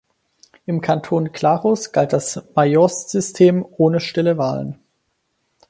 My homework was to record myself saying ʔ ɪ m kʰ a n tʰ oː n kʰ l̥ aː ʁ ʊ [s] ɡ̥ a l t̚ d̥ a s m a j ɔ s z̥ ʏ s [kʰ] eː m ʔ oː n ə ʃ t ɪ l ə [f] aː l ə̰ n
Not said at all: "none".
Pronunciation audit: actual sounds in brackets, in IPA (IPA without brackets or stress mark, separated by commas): s, tʰ, v